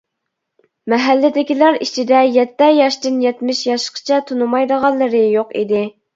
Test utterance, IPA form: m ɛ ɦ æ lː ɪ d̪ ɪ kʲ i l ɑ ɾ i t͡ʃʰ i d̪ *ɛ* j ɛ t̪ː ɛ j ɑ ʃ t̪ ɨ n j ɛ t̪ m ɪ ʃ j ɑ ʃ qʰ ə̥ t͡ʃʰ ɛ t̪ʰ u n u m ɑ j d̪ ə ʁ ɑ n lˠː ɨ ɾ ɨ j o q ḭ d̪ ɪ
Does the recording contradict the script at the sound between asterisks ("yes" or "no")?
no